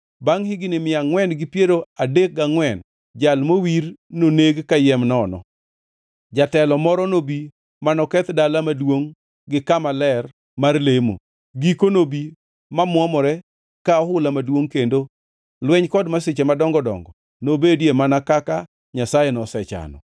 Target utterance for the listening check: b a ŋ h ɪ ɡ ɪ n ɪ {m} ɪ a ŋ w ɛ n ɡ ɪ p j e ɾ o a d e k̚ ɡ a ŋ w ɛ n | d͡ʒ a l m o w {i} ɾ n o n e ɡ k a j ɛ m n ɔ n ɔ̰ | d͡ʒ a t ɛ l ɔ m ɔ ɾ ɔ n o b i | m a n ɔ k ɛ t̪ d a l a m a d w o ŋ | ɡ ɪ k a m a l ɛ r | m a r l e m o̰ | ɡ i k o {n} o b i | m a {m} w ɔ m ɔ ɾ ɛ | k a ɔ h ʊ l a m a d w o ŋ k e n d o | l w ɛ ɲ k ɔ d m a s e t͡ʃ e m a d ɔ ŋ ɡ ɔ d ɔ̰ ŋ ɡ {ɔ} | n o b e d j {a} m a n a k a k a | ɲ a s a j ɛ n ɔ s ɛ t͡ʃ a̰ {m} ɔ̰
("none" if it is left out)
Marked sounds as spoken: m, i, n, m, ɔ, e, n

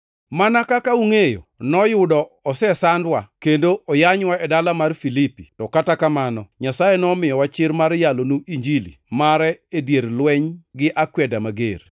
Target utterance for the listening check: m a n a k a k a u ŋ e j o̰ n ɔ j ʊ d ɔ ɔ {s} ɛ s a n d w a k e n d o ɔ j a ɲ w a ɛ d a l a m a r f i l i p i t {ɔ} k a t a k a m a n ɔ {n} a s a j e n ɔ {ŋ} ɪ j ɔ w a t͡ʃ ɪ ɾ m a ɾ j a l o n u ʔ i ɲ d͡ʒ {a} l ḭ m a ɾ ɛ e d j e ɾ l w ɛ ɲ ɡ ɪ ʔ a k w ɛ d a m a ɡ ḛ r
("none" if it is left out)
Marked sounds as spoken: s, ɔ, ɲ, m, i

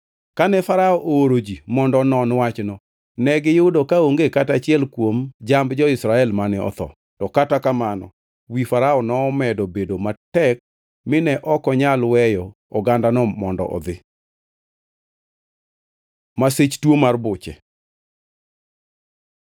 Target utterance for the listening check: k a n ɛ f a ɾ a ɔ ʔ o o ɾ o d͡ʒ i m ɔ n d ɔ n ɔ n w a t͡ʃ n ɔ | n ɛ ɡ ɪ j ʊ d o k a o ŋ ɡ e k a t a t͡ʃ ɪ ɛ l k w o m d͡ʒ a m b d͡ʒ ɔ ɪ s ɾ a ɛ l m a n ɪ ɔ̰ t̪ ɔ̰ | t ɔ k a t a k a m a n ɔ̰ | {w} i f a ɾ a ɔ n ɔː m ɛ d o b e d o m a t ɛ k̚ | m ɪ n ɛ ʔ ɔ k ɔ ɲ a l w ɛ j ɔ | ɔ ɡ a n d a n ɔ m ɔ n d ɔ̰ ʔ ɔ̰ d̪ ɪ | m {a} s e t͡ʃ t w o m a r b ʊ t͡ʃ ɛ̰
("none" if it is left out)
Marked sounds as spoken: w, a

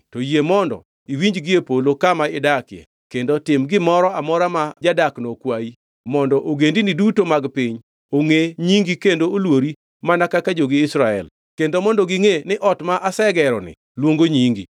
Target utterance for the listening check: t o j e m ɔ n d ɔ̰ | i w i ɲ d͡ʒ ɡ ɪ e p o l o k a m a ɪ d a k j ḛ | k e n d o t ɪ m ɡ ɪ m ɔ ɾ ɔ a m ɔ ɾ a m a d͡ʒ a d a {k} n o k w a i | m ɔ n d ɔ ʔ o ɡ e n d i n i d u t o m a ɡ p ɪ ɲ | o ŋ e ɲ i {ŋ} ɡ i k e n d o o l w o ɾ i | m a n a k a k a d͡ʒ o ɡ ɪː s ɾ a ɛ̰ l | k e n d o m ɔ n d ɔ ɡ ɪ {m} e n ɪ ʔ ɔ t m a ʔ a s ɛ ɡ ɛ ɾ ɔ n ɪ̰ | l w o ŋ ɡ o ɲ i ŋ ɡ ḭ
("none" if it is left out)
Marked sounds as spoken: k, ŋ, ŋ

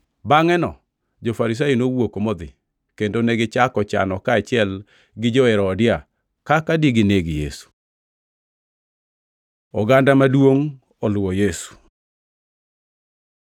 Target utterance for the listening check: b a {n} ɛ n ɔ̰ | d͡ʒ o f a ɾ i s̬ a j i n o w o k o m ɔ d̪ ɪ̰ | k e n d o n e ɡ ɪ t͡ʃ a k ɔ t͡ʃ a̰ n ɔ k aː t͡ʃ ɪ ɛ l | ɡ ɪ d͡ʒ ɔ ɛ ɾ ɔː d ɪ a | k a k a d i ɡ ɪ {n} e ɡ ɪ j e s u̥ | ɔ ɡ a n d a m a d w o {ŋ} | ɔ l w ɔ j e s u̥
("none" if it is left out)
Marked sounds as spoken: ŋ, n, ŋ

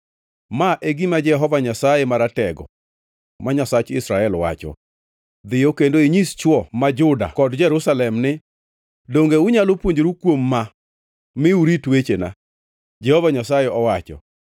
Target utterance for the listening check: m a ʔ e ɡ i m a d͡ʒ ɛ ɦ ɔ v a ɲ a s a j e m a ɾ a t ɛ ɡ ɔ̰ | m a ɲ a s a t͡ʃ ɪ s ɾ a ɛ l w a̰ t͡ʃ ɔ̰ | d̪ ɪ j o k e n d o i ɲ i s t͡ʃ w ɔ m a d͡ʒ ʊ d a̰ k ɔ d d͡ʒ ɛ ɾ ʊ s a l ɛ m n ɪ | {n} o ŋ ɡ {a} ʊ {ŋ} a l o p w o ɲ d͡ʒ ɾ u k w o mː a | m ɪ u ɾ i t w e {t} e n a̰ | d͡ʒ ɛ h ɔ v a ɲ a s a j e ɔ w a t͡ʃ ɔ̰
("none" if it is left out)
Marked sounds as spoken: d, e, ɲ, t͡ʃ

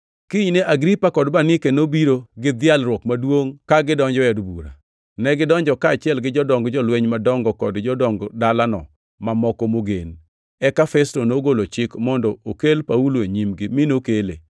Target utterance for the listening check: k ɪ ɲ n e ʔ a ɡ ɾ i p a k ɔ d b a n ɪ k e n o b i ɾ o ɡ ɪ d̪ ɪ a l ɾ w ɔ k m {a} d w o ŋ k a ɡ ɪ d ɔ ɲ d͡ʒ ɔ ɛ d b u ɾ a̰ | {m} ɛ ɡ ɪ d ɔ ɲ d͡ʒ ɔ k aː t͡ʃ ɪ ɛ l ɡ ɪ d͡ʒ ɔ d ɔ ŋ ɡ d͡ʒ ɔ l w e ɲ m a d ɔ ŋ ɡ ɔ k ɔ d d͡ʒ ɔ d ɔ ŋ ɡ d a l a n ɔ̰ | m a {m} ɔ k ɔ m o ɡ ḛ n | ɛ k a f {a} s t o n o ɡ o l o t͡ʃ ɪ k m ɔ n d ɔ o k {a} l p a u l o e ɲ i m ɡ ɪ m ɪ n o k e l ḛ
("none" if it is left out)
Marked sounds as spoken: a, n, m, ɛ, e

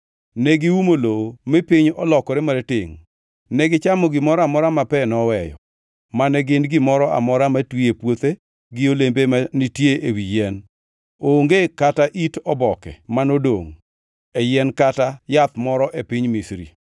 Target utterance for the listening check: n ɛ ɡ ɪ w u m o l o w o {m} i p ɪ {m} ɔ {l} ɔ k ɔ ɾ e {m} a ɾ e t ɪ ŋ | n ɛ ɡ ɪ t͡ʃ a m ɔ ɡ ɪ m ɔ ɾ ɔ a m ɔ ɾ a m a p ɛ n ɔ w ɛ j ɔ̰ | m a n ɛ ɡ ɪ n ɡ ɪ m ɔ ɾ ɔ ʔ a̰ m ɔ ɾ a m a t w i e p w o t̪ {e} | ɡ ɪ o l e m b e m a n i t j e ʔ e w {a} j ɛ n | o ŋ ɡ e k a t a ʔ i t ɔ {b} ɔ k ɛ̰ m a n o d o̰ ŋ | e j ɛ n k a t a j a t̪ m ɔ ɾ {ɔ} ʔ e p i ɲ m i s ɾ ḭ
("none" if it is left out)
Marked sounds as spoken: m, ɲ, l, m, e, i, b, ɔ

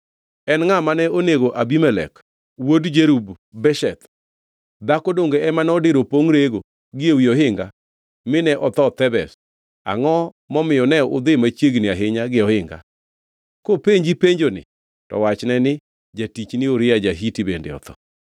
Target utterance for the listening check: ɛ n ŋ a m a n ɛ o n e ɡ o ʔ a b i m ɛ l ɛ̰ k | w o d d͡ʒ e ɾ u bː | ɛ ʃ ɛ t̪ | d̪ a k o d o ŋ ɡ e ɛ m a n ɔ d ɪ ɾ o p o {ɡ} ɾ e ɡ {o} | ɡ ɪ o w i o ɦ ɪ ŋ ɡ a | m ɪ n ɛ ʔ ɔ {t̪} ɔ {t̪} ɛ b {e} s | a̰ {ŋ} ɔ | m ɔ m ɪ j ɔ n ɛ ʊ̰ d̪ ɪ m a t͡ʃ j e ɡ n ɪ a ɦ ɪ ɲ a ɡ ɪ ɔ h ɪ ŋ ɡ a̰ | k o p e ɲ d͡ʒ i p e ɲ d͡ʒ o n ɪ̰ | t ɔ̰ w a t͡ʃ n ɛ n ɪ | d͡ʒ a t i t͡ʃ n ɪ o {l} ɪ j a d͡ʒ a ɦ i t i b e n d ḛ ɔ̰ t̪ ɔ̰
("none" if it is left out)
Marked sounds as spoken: ŋ, o, t̪, t̪, ɛ, ŋ, ɾ

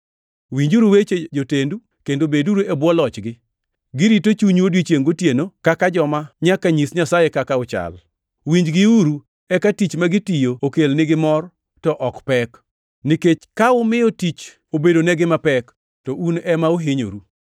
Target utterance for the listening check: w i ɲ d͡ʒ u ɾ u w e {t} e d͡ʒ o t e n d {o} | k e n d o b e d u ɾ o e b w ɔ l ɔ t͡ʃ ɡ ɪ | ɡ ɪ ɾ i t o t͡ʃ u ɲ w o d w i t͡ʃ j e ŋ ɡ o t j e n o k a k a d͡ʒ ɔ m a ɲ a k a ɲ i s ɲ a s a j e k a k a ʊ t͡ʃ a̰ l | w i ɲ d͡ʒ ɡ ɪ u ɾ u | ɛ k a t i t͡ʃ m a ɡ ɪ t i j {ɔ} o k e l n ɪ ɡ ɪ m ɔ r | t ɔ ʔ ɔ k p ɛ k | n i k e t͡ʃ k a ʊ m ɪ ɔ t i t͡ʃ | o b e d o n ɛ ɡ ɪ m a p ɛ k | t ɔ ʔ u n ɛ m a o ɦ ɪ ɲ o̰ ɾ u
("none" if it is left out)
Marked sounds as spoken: t͡ʃ, u, o

